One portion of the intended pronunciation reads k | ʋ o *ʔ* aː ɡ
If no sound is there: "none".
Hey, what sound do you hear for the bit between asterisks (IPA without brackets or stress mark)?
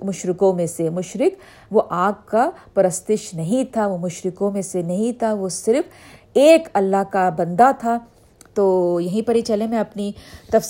ʔ